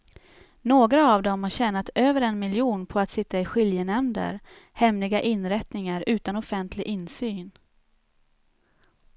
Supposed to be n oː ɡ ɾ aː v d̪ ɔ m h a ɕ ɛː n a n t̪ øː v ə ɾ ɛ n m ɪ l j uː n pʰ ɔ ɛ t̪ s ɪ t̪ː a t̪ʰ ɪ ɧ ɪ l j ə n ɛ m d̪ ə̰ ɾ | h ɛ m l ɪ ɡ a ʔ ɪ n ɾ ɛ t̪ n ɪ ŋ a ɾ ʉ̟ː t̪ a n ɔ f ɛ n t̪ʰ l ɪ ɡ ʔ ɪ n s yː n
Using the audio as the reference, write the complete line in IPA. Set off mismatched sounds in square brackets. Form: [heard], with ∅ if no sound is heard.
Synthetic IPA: n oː ɡ ɾ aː v d̪ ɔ m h a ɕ ɛː n a [∅] t̪ øː v ə ɾ ɛ n m ɪ l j uː n pʰ ɔ [a] t̪ s ɪ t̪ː a [∅] ɪ ɧ ɪ l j ə n ɛ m d̪ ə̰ ɾ | h ɛ m l ɪ ɡ a ʔ ɪ n ɾ ɛ t̪ n ɪ ŋ a ɾ ʉ̟ː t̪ a n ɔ f ɛ n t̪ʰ l ɪ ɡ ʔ ɪ n s yː n